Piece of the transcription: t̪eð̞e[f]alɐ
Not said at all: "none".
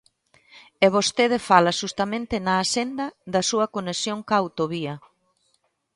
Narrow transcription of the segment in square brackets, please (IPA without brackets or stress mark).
f